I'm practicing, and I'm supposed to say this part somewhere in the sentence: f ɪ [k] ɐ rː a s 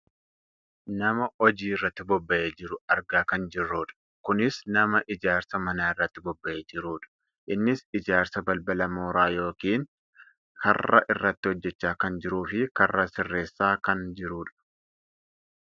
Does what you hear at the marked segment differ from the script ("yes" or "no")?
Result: no